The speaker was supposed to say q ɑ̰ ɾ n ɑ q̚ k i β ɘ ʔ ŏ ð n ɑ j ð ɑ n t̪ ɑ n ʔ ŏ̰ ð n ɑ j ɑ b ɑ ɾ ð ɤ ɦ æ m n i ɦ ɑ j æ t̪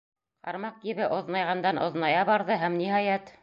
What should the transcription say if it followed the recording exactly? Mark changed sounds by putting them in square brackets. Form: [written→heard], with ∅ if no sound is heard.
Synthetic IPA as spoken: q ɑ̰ ɾ [n→m] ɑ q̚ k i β ɘ ʔ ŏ ð n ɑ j [ð→ʁ] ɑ n [t̪→d̪] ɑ n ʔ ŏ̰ ð n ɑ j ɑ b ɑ ɾ ð ɤ ɦ æ m n i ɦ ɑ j æ t̪